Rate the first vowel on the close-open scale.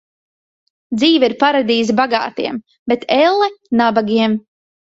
close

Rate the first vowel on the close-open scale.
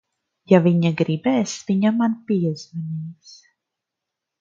open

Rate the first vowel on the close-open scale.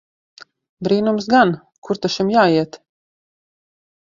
close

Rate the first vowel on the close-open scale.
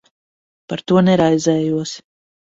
open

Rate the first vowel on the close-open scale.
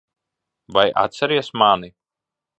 open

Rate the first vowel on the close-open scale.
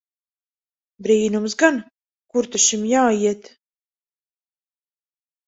close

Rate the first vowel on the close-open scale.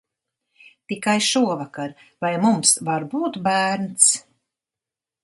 close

